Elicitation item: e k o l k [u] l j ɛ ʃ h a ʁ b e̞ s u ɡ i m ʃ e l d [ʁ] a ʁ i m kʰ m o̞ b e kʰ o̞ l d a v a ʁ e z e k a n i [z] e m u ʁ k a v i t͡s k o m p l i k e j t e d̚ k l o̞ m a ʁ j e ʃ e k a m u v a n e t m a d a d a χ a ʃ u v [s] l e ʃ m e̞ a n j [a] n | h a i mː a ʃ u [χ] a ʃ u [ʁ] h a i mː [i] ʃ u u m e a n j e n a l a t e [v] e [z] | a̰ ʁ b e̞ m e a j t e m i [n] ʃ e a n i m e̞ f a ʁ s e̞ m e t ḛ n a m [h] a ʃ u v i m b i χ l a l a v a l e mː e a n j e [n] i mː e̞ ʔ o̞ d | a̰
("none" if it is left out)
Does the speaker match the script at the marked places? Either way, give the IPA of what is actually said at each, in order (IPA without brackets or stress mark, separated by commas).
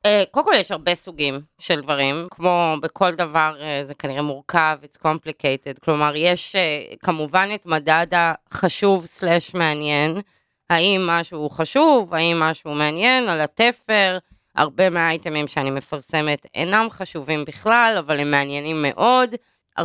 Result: o, v, ʁ, s, e, χ, v, a, f, ʁ, m, χ, n